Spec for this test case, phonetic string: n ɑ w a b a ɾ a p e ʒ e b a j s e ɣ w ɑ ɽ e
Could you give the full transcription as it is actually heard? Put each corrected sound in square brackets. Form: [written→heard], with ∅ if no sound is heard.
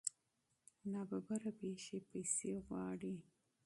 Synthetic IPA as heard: n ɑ [w→b] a b a ɾ a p e [ʒ→ʃ] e [b→p] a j s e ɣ w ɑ ɽ [e→i]